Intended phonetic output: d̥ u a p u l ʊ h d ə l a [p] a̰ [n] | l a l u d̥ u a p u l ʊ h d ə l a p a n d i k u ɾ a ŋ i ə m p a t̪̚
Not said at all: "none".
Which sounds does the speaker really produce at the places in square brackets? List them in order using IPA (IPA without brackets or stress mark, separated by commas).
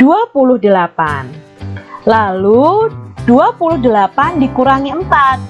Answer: p, n